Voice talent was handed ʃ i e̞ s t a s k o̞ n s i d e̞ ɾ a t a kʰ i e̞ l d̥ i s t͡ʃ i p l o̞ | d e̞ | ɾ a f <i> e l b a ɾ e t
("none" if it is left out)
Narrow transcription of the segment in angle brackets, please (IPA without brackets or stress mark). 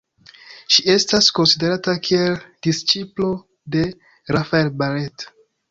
a